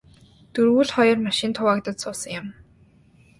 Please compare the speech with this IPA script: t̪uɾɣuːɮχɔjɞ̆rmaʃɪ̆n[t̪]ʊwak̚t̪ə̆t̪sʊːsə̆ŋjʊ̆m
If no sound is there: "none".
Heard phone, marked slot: t̪ʰ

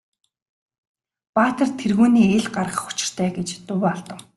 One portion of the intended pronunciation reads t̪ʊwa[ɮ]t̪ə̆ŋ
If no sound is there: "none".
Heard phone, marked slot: ɮ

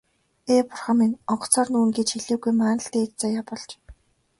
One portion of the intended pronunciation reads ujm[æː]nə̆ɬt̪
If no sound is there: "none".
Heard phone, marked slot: aː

